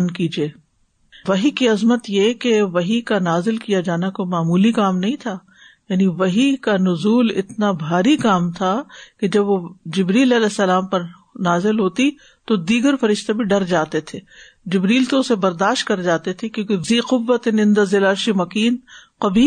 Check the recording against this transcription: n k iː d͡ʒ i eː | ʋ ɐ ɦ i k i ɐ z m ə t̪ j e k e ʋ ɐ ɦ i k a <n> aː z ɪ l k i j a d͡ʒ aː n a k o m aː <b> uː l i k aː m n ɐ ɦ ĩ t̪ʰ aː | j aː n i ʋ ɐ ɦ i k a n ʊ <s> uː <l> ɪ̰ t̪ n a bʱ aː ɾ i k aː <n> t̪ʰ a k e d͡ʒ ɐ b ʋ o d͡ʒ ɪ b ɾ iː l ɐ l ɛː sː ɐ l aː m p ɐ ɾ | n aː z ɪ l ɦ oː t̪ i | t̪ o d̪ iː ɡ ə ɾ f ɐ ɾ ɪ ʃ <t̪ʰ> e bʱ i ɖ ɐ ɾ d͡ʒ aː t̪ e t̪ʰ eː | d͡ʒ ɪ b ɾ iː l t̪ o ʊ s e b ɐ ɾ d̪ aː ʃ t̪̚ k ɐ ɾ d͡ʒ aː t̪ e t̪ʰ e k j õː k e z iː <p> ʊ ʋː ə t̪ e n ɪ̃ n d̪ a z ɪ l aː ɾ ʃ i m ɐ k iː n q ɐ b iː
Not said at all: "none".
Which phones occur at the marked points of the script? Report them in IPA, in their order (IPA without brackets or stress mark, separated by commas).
n, m, z, l, m, t̪, q